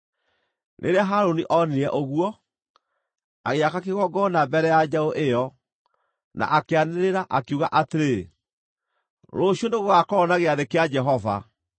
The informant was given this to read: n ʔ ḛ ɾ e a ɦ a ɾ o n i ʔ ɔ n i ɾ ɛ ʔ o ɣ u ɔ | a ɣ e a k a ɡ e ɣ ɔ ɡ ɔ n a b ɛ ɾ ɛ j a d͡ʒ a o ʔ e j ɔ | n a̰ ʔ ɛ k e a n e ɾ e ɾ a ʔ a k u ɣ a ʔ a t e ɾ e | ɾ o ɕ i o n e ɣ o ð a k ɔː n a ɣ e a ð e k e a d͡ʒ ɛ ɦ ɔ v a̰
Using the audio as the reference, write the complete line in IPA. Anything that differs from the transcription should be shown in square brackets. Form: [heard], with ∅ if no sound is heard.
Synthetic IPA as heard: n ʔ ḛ ɾ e a ɦ a ɾ o n i ʔ ɔ n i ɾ ɛ ʔ o ɣ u ɔ | a ɣ e a k a [k] e ɣ ɔ ɡ ɔ n a b ɛ ɾ ɛ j a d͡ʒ a o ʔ e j ɔ | n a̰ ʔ [a] k e a n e ɾ e ɾ a ʔ a k u ɣ a ʔ a t e ɾ e | ɾ o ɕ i o n e ɣ o [ɣ] a k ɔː n a ɣ e a ð e k e a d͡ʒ ɛ ɦ ɔ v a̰